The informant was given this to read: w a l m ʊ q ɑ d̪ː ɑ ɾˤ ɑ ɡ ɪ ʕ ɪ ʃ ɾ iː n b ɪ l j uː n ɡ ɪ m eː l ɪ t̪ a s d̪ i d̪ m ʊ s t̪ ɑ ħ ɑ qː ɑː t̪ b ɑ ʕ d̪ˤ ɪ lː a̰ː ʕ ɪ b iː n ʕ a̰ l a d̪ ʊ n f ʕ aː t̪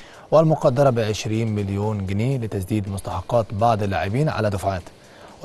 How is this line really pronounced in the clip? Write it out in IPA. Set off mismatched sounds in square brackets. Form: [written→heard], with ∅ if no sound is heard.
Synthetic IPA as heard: w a l m ʊ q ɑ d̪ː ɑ ɾˤ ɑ [ɡ→b] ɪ ʕ ɪ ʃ ɾ iː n [b→m] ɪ l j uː n ɡ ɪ [m→n] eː l ɪ t̪ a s d̪ [i→iː] d̪ m ʊ s t̪ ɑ ħ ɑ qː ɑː t̪ b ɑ ʕ d̪ˤ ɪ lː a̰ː ʕ ɪ b iː n ʕ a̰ l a d̪ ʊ [n→∅] f ʕ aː t̪